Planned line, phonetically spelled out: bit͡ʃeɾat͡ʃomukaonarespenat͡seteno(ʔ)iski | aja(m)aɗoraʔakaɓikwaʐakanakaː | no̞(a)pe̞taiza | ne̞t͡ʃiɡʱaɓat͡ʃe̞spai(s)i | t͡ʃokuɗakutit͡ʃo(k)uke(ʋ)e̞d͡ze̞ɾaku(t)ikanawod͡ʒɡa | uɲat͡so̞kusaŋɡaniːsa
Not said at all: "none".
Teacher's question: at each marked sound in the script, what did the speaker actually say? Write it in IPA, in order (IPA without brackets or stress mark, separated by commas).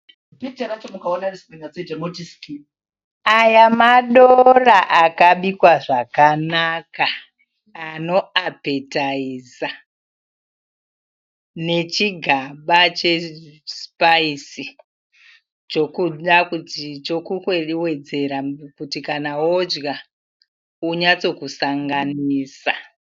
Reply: t, m, a, s, k, w, t